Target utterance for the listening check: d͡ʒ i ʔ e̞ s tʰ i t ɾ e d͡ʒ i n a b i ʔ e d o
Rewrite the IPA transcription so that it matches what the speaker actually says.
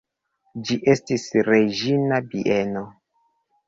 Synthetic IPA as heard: d͡ʒ i ʔ e̞ s t i s ɾ e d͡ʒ i n a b i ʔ e n o